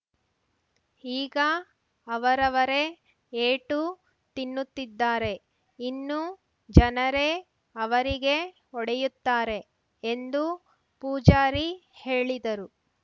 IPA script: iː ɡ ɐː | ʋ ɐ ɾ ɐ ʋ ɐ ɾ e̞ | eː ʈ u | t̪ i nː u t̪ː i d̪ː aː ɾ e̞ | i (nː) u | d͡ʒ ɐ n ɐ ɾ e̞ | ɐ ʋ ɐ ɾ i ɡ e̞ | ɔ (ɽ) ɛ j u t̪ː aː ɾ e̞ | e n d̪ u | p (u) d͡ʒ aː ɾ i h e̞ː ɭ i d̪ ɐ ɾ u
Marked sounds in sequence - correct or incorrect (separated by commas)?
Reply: correct, correct, incorrect